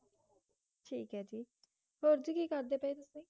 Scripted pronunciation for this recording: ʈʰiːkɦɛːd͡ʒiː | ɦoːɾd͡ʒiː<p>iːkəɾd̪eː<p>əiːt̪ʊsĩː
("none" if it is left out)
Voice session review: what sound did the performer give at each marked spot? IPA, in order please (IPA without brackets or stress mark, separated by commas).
k, p